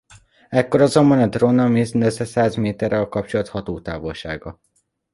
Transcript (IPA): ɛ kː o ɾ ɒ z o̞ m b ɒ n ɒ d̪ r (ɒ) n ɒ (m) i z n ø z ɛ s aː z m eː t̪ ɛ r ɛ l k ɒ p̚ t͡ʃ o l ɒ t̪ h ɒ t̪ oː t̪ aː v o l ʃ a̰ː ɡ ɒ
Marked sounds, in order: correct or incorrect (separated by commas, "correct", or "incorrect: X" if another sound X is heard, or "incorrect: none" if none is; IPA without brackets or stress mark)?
incorrect: o, correct